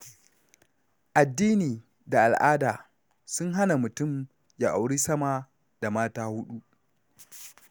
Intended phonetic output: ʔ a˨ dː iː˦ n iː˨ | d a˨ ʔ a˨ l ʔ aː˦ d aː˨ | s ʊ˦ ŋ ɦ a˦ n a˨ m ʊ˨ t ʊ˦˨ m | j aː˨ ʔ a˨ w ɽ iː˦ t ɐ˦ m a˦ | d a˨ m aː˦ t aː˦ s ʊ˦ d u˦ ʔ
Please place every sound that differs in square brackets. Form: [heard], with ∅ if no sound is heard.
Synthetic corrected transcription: ʔ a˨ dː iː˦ n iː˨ | d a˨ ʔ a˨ l ʔ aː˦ d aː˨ | s ʊ˦ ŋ ɦ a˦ n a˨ m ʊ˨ t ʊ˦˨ m | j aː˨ ʔ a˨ w ɽ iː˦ [s] ɐ˦ m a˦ | d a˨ m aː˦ t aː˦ [h] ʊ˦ [ɗ] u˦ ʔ